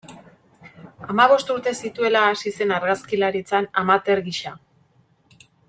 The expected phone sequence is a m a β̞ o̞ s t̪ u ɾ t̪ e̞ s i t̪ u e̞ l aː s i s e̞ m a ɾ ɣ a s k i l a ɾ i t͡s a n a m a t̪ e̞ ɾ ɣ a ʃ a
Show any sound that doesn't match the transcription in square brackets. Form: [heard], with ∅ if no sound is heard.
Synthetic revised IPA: a m a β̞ o̞ s t̪ u ɾ t̪ e̞ s i t̪ u e̞ l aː s i s e̞ [n] a ɾ ɣ a s k i l a ɾ i t͡s a n a m a t̪ e̞ ɾ ɣ [i] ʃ a